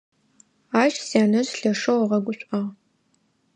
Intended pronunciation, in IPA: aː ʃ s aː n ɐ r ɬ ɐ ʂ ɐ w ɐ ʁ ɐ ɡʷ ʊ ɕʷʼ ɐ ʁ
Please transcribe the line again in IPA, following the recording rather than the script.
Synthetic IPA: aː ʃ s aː n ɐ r ɬ ɐ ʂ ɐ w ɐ ʁ ɐ ɡʷ ʊ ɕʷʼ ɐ ʁ